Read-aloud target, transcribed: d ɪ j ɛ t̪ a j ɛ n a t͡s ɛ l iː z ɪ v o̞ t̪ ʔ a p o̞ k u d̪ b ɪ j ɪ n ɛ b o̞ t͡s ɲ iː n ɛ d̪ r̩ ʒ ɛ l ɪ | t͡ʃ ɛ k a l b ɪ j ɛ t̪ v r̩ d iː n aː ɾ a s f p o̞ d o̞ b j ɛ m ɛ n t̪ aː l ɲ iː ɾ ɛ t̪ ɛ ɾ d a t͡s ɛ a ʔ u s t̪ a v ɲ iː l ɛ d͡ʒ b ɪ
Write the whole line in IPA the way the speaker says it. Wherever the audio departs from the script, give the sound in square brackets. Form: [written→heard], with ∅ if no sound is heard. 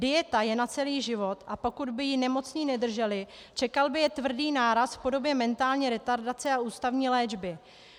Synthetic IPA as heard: d ɪ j ɛ t̪ a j ɛ n a t͡s ɛ l iː [z→ʒ] ɪ v o̞ t̪ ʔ a p o̞ k u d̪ b ɪ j ɪ n ɛ [b→m] o̞ t͡s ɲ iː n ɛ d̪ r̩ ʒ ɛ l ɪ | t͡ʃ ɛ k a l b ɪ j ɛ t̪ v r̩ d iː n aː ɾ a s f p o̞ d o̞ b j ɛ m ɛ n t̪ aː l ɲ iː ɾ ɛ t̪ [ɛ→a] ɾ d a t͡s ɛ a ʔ [u→uː] s t̪ a v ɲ iː l [ɛ→ɛː] d͡ʒ b ɪ